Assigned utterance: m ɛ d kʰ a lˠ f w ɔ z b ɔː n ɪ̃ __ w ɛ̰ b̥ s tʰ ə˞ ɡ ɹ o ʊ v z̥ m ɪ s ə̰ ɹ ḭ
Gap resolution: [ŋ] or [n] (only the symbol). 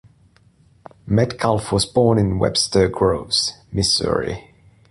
n